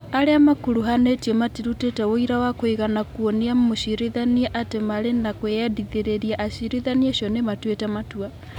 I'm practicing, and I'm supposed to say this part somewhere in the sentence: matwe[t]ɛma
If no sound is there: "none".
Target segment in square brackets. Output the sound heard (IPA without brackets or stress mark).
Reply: t